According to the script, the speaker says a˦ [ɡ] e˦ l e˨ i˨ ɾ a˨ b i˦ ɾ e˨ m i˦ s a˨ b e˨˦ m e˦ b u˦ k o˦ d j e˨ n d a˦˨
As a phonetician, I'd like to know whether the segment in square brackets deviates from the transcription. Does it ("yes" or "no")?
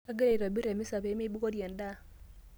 no